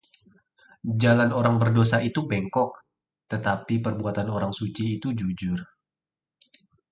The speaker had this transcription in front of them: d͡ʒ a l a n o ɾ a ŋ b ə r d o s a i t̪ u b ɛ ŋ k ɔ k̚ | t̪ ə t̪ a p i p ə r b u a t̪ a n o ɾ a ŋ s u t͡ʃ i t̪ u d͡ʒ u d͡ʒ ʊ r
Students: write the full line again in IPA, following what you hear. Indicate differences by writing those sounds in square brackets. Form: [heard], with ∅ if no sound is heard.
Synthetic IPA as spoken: d͡ʒ a l a n o ɾ a ŋ b ə r d o s a i t̪ u b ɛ ŋ k ɔ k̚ | t̪ ə t̪ a p i p ə r b u a t̪ a n o ɾ a ŋ s u t͡ʃ [iː] t̪ u d͡ʒ u d͡ʒ ʊ r